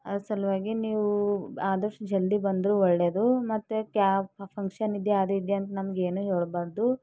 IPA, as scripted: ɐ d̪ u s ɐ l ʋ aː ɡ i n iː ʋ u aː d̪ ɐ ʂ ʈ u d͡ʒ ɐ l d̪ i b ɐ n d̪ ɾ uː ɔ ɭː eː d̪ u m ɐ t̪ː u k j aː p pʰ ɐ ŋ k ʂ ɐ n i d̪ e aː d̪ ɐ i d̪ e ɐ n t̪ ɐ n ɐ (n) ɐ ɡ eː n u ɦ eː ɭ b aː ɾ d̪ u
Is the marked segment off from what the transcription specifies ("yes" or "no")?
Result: yes